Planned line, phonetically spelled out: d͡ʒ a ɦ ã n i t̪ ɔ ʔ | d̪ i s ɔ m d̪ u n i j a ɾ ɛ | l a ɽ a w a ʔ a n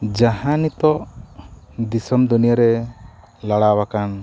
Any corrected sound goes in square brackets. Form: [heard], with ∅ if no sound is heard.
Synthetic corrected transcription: d͡ʒ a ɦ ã n i t̪ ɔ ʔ | d̪ i s ɔ m d̪ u n i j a ɾ ɛ | l a ɽ a w a [k] a n